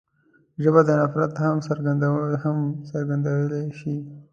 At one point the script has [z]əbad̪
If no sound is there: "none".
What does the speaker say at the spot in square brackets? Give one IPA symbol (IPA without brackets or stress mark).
ʒ